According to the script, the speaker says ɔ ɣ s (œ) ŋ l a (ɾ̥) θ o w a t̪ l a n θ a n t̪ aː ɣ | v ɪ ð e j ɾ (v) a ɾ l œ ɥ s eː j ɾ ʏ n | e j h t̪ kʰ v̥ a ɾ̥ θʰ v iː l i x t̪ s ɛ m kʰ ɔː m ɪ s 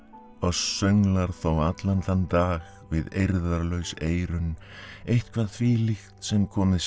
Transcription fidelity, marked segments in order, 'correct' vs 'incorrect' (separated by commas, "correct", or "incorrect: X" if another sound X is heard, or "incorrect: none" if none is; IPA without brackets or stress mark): correct, correct, incorrect: ð